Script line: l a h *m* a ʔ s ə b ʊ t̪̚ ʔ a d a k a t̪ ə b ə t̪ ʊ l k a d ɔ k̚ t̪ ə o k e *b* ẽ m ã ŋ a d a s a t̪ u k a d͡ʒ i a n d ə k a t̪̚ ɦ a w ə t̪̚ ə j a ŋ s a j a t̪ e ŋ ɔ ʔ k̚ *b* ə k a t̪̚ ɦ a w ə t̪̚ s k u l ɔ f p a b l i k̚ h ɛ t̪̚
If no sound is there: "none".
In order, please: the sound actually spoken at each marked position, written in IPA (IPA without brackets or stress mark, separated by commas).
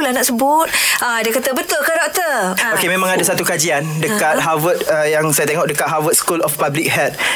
n, m, d